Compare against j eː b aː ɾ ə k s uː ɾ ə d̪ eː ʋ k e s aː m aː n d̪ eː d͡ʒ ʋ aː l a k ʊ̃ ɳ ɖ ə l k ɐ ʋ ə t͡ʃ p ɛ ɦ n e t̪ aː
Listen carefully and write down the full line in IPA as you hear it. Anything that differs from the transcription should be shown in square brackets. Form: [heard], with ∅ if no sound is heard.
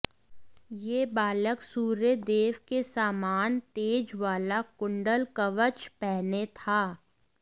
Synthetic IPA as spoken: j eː b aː [l] ə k s uː ɾ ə d̪ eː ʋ k e s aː m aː n [t̪] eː d͡ʒ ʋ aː l a k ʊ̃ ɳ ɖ ə l k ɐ ʋ ə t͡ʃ p ɛ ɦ n e [t̪ʰ] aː